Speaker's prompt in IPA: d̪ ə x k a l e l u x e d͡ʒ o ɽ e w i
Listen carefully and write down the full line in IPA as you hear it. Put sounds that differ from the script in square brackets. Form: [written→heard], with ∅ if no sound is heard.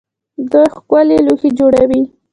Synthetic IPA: d̪ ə x k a l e l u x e d͡ʒ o ɽ [e→a] w i